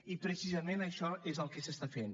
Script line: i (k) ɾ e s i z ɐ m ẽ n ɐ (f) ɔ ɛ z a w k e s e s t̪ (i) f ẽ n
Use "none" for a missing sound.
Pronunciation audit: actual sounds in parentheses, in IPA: p, ʃ, a

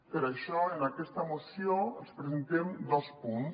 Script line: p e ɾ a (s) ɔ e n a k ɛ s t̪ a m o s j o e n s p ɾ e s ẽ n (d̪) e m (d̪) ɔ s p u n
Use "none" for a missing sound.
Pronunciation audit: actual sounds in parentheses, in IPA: ʃ, t̪, d̪

